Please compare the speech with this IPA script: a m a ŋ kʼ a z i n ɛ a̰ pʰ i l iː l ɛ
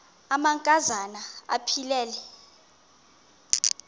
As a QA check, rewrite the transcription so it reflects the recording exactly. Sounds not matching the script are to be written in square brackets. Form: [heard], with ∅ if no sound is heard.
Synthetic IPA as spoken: a m a ŋ kʼ a z [a] n [a] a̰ pʰ i l [ɛː] l ɛ